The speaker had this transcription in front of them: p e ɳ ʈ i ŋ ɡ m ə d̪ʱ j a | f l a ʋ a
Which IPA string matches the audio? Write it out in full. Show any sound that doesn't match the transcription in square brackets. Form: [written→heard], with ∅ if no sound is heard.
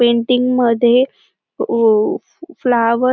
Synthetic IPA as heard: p e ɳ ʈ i ŋ ɡ m ə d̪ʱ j [a→e] | f l a ʋ [a→ə]